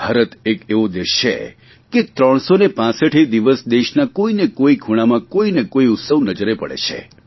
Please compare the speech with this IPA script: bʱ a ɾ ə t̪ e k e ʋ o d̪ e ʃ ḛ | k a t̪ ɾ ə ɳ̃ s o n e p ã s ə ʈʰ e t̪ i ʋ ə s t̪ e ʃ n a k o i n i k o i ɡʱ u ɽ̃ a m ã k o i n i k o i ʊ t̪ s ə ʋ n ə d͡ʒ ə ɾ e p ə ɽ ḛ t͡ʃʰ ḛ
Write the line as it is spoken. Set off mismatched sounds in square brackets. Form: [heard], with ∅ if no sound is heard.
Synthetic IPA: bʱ a ɾ ə t̪ e k e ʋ o d̪ e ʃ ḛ | k [e] t̪ ɾ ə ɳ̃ s o n e p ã s ə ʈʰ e [d̪] i ʋ ə s [d̪] e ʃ n a k o i n [e] k o i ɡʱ u ɽ̃ a m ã k o i n [e] k o i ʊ t̪ s ə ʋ n ə d͡ʒ ə ɾ e p ə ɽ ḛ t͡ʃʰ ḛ